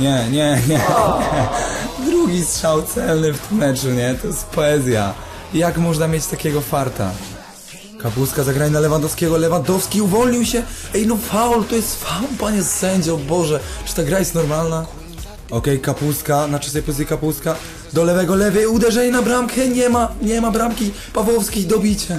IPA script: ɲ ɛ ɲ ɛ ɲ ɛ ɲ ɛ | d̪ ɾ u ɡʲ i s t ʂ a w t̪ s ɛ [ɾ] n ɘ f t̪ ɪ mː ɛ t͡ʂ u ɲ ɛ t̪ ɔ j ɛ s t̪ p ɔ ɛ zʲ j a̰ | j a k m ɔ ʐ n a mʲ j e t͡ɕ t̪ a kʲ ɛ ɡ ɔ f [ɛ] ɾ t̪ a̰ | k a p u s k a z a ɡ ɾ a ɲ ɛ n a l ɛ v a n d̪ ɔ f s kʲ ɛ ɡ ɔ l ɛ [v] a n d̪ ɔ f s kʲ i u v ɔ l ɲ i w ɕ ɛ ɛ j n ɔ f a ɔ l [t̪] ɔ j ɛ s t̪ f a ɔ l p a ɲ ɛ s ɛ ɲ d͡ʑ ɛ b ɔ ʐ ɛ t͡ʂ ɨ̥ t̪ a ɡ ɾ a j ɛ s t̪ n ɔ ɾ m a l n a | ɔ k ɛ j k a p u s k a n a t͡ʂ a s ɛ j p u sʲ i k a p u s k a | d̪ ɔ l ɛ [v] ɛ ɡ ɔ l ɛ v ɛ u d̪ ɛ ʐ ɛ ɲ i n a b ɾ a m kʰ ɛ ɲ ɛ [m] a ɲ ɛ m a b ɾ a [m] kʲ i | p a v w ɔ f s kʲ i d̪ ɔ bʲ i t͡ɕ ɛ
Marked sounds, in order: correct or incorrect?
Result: incorrect, incorrect, correct, correct, correct, correct, correct

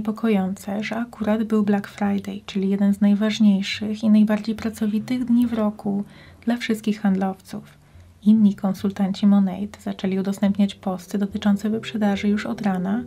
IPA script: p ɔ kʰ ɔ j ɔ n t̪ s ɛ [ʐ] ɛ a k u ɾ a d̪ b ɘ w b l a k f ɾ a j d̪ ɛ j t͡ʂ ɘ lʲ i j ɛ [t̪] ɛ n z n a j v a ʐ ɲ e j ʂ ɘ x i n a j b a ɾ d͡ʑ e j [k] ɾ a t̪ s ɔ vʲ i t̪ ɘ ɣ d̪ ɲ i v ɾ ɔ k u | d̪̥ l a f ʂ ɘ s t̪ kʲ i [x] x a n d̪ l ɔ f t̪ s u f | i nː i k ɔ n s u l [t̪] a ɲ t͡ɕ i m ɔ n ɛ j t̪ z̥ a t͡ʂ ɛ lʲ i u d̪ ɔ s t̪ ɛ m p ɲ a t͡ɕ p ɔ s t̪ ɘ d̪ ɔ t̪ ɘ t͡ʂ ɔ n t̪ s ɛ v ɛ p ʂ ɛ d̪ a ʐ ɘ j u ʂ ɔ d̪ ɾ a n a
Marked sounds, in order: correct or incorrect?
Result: correct, incorrect, incorrect, correct, correct

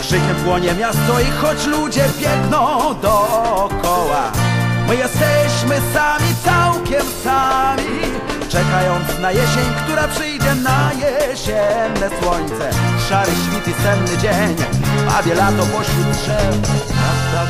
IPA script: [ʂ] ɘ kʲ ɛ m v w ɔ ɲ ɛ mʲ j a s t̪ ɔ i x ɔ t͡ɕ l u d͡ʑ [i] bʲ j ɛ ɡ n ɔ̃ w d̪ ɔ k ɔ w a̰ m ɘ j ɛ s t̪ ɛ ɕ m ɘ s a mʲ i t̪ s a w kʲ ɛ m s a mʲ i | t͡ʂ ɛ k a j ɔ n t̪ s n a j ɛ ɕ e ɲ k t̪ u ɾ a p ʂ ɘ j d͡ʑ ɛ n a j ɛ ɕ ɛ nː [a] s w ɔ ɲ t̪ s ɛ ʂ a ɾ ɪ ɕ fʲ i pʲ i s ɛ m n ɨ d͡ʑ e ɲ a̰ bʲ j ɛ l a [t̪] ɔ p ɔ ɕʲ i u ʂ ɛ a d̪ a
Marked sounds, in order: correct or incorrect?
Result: correct, incorrect, incorrect, correct

